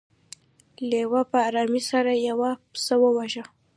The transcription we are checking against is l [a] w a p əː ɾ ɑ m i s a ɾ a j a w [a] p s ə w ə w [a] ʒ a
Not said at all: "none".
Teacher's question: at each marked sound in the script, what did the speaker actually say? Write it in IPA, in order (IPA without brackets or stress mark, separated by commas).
e, a, a